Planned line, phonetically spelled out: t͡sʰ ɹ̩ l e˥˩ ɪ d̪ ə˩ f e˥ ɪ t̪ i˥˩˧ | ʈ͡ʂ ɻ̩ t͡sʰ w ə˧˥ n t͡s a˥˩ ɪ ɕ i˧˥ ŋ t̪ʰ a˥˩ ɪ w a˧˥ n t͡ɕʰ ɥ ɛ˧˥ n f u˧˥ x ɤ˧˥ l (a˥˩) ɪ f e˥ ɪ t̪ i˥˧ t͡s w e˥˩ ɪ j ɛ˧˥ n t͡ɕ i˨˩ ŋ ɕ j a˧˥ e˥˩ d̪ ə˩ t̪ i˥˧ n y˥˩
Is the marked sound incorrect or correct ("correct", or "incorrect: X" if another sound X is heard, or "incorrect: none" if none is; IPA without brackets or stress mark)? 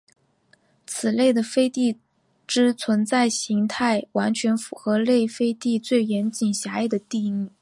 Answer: incorrect: e˥˩